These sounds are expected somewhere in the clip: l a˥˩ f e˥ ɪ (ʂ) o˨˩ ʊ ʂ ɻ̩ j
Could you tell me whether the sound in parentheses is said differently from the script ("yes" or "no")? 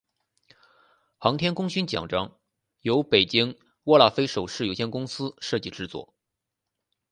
no